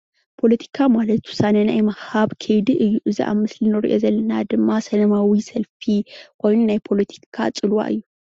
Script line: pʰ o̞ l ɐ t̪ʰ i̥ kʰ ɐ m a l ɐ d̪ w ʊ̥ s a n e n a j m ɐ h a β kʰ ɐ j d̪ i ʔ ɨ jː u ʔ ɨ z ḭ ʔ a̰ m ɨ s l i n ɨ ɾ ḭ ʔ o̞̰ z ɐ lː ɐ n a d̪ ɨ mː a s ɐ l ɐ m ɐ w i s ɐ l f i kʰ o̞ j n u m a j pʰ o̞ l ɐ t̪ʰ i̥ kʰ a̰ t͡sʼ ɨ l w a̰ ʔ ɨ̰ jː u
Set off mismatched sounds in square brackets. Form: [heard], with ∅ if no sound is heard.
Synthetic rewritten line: pʰ o̞ l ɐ t̪ʰ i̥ kʰ [a] m a l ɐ [t̪] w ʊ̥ s a n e n a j m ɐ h a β kʰ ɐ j d̪ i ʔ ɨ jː u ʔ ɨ z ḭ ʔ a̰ m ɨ s l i n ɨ ɾ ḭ ʔ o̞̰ z ɐ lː ɐ n a d̪ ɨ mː a s ɐ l ɐ m [a] w i s ɐ l f i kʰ o̞ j n u [n] a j pʰ o̞ l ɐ t̪ʰ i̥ kʰ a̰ t͡sʼ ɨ l w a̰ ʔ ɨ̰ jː u